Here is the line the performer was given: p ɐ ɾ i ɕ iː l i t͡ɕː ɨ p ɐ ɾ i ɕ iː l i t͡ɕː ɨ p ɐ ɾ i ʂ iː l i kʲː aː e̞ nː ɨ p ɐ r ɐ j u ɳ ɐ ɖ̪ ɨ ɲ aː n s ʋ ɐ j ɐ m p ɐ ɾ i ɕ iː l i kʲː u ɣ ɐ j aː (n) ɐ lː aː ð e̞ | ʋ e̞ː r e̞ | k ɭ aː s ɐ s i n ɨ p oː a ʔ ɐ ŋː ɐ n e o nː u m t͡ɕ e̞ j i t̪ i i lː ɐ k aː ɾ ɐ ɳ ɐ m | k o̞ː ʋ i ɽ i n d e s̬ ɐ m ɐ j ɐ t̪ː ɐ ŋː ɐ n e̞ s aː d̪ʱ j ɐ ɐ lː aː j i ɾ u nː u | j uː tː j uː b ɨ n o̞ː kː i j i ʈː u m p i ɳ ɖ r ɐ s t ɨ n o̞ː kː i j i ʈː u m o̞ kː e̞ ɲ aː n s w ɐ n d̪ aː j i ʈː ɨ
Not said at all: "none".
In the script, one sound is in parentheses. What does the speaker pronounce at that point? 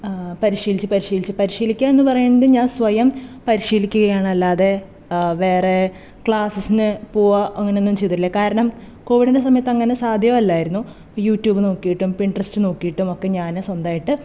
ɳ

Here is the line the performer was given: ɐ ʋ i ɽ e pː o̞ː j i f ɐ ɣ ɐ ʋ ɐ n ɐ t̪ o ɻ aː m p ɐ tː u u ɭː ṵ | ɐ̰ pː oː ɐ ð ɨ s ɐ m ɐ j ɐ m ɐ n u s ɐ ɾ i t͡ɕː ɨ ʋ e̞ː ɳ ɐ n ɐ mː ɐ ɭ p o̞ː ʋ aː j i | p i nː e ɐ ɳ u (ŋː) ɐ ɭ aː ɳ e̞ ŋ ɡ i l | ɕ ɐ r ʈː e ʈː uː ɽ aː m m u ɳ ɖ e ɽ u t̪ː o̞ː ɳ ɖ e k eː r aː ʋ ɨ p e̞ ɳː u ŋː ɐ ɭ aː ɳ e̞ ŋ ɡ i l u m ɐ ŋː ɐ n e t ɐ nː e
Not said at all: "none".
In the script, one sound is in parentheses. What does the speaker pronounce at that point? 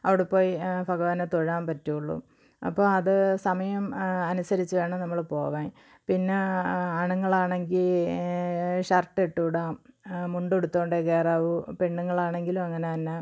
ŋː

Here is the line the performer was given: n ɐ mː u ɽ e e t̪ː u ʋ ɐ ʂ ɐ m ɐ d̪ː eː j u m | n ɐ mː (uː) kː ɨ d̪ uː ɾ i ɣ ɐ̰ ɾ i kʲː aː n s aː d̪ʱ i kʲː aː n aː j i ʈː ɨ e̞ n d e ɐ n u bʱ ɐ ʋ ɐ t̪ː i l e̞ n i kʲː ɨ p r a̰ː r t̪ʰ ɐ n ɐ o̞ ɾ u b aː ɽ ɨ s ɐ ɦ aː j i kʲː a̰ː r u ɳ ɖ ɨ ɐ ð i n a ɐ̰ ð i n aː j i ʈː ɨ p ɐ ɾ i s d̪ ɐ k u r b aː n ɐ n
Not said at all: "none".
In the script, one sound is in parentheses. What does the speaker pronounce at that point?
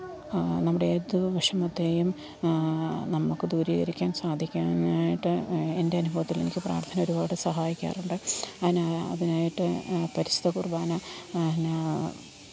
u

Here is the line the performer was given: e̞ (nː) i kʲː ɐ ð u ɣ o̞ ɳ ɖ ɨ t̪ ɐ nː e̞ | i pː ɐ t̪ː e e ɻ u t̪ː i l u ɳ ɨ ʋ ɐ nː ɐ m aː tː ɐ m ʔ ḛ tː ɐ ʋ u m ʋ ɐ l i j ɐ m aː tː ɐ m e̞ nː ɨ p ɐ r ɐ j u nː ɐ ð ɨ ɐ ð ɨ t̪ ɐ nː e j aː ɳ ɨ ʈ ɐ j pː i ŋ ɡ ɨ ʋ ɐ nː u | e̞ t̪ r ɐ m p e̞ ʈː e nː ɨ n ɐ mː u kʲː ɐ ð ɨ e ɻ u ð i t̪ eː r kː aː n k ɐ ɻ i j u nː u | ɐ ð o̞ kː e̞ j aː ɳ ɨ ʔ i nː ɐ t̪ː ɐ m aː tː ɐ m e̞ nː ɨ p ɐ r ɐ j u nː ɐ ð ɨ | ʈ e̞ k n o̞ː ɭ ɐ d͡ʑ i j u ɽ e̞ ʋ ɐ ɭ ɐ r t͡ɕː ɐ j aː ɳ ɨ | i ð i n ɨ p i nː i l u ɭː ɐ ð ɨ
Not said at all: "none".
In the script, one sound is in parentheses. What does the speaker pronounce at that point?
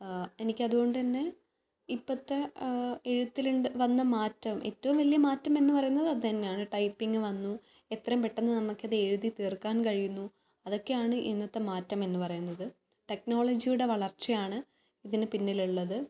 n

